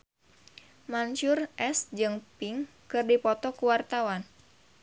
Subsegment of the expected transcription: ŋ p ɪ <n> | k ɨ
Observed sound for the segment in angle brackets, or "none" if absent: ŋ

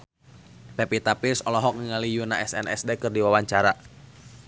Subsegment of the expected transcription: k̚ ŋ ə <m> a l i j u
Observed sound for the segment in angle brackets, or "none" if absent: ŋ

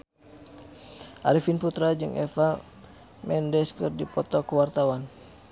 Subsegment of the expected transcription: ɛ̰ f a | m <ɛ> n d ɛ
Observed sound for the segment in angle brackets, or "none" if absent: ɛ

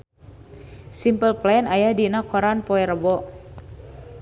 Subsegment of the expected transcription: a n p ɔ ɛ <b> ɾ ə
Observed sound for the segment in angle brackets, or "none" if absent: none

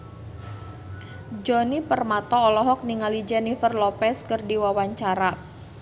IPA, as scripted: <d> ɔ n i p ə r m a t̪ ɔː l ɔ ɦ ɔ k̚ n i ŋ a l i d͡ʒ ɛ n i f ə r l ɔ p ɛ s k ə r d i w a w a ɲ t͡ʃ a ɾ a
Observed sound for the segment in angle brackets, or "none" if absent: d͡ʒ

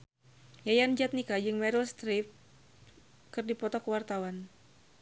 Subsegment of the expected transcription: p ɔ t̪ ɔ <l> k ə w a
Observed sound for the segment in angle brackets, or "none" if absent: none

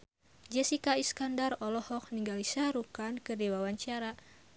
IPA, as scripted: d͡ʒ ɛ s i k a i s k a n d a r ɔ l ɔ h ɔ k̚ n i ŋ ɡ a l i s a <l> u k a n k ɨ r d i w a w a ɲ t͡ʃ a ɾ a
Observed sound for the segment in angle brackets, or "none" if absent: ɾ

